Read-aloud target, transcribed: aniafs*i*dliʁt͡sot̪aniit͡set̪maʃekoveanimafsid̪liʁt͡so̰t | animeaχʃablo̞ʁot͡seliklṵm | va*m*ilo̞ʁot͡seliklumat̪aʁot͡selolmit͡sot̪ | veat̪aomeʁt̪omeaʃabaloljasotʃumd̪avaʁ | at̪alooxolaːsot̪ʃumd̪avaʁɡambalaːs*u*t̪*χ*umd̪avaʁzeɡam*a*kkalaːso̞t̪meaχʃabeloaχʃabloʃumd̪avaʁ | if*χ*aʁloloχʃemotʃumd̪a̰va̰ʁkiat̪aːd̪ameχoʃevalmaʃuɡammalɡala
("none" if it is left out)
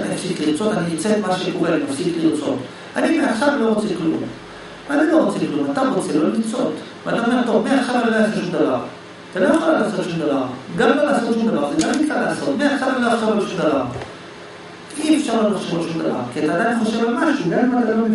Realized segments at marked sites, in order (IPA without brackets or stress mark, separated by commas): i, n, o, ʃ, i, ʃ